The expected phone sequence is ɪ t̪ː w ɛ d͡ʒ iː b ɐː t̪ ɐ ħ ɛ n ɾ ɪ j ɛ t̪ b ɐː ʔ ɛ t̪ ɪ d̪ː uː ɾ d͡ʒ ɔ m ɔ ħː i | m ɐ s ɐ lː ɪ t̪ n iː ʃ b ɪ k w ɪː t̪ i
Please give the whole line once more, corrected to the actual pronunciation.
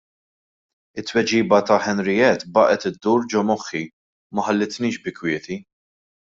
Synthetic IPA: ɪ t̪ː w ɛ d͡ʒ iː b ɐ t̪ ɐ ħ ɛ n ɾ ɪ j ɛ t̪ b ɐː ʔ ɛ t̪ ɪ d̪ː uː ɾ d͡ʒ ɔ m ɔ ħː i | m ɐ ħ ɐ lː ɪ t̪ n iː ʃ b ɪ k w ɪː t̪ i